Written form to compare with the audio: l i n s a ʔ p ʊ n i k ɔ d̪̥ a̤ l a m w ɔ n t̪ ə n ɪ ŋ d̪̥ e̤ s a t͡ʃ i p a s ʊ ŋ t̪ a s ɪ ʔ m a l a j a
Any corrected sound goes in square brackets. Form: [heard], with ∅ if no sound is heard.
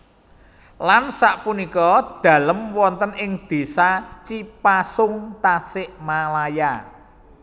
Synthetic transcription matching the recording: l [a] n s a ʔ p [u] n i k ɔ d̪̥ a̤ l [ə] m w ɔ n t̪ ə n ɪ ŋ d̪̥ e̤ s a t͡ʃ i p a s ʊ ŋ t̪ a s ɪ ʔ m a l a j a